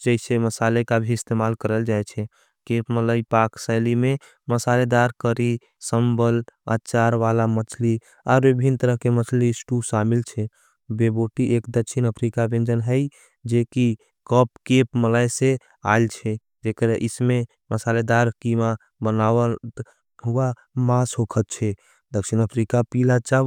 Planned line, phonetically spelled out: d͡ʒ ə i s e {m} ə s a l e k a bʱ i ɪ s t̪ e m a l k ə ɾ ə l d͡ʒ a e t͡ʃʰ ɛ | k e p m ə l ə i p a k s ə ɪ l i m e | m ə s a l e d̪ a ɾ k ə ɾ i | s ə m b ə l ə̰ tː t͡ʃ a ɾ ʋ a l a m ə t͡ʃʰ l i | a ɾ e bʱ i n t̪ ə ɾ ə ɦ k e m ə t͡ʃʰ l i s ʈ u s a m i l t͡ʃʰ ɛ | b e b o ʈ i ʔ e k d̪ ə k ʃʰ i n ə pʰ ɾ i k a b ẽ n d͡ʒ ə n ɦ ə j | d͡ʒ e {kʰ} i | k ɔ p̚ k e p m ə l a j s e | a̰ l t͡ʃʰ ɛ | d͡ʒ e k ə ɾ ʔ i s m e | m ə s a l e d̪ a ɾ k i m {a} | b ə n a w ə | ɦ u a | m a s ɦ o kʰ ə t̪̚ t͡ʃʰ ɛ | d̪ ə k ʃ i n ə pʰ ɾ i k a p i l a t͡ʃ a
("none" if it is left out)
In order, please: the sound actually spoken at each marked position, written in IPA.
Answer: m, k, a

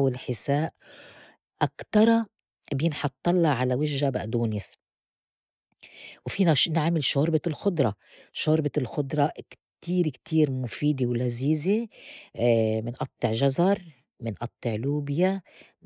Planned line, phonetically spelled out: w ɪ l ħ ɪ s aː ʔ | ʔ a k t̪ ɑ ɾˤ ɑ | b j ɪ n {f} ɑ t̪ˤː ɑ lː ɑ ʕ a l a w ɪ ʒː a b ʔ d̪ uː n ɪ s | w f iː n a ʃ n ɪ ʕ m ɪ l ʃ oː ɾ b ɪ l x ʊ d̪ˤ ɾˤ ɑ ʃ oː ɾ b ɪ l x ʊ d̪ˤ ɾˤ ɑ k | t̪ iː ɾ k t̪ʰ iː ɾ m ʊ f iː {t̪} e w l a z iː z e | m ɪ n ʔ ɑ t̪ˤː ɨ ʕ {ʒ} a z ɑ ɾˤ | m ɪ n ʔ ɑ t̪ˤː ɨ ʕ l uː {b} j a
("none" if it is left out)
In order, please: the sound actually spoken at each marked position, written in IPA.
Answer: ħ, d̪, ʒ, b

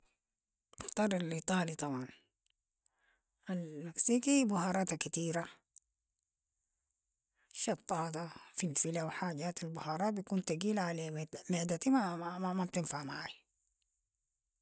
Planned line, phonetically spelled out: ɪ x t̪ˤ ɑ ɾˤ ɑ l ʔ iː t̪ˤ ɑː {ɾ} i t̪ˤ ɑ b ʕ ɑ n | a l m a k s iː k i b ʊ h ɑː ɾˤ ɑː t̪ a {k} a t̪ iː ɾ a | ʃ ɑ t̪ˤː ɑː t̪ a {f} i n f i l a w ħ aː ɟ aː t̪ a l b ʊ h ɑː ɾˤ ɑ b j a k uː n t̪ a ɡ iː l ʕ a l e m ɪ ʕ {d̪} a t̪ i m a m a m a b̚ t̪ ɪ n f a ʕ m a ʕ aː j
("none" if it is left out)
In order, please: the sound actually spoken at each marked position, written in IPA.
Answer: l, k, f, d̪

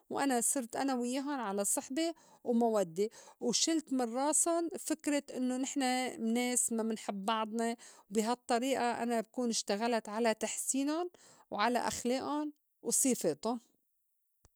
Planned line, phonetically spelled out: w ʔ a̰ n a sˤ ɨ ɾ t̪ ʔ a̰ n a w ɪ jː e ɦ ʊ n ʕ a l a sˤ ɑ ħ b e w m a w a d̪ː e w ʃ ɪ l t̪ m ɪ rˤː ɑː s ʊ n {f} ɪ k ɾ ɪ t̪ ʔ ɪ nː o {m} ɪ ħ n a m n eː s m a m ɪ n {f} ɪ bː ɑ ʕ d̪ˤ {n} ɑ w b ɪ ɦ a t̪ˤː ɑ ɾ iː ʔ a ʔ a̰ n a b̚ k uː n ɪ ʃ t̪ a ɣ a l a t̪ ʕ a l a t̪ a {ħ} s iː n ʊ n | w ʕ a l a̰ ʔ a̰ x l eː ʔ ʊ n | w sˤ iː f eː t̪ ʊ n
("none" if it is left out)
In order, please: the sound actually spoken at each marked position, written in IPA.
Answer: f, n, ħ, n, ħ

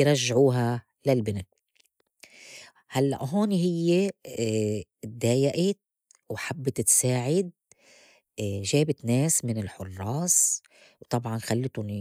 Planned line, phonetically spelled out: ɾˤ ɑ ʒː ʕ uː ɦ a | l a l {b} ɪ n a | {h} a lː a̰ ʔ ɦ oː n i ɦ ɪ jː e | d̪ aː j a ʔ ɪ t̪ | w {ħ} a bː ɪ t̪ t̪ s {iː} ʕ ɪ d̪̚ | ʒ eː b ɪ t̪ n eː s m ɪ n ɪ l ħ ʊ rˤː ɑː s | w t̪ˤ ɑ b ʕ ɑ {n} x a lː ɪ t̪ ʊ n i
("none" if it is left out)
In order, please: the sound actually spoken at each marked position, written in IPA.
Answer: b, h, ħ, aː, n

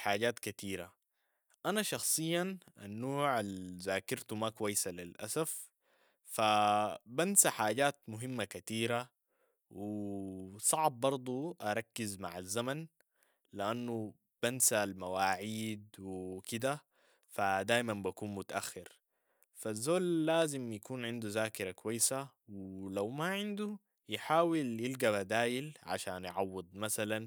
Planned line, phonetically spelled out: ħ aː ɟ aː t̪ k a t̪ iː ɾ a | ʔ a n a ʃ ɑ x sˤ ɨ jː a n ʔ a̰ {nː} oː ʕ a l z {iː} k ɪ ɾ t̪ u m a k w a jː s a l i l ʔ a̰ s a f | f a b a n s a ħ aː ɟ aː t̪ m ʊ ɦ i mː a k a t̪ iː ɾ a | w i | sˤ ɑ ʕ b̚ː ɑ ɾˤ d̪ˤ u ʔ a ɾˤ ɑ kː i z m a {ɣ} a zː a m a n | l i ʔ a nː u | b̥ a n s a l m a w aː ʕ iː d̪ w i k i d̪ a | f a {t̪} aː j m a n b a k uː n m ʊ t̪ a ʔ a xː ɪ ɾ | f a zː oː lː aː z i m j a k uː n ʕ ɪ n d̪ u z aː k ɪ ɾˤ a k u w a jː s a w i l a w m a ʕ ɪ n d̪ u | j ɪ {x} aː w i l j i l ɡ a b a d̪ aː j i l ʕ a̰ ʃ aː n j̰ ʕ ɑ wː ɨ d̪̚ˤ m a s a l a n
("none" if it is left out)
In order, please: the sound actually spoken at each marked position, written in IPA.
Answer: nː, aː, ʕ, d̪, ħ

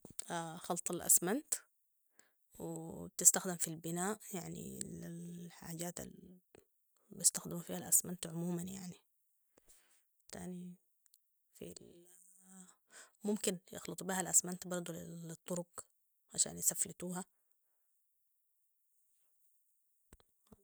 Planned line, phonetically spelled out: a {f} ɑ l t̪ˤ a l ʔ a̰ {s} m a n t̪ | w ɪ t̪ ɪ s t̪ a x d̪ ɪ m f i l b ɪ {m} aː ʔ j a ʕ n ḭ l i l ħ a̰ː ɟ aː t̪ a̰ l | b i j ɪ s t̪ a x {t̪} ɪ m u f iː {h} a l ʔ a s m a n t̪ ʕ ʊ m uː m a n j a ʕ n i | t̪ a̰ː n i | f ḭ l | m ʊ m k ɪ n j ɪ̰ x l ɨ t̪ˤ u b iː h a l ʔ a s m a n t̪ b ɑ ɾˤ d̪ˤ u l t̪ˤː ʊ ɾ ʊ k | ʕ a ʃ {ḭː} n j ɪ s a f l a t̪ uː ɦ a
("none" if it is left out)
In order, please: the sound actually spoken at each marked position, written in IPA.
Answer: x, s, n, d̪, h, a̰ː

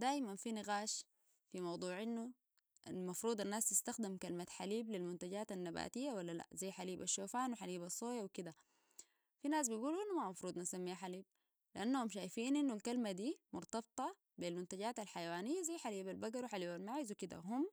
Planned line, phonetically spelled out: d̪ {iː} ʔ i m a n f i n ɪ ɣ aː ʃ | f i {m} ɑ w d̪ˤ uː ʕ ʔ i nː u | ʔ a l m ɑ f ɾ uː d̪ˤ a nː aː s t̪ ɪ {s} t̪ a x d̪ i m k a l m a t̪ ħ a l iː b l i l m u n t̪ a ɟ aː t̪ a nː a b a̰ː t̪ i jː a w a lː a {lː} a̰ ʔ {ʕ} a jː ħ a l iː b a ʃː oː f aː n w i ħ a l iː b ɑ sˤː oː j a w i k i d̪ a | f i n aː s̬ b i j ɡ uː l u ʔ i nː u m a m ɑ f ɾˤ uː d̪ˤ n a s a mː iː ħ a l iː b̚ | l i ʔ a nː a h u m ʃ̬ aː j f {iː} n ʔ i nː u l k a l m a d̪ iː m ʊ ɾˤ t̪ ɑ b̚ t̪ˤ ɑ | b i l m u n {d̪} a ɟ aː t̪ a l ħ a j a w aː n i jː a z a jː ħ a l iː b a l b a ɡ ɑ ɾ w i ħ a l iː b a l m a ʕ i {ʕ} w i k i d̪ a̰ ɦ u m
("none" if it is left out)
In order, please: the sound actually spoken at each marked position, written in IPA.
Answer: aː, m, s, l, z, iː, t̪, z

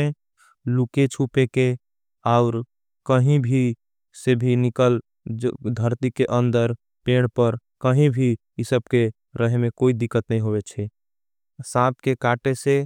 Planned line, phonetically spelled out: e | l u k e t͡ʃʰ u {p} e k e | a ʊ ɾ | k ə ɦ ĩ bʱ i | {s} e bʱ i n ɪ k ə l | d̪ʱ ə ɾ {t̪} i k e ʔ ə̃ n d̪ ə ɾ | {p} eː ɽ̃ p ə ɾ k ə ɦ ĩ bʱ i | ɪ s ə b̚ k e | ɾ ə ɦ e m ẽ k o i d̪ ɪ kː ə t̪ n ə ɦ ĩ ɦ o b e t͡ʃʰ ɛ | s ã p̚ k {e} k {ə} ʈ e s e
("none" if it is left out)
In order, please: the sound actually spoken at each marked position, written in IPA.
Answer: p, s, t̪, p, e, a

